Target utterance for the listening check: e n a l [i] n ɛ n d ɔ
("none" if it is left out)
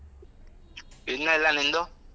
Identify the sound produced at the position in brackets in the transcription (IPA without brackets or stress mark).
a